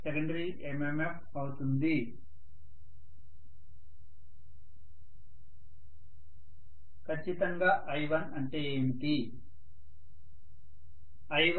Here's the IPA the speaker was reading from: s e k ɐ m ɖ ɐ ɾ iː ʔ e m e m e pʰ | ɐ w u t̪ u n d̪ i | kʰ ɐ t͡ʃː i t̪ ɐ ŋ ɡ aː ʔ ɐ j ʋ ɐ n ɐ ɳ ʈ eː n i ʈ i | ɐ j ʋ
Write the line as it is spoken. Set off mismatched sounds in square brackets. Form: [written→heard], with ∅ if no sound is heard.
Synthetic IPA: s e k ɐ [m→ɳ] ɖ ɐ ɾ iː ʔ e m e m e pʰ | ɐ w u t̪ u n d̪ i | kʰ ɐ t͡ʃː i t̪ ɐ ŋ ɡ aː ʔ ɐ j ʋ ɐ n ɐ ɳ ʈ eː [n→m] i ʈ i | ɐ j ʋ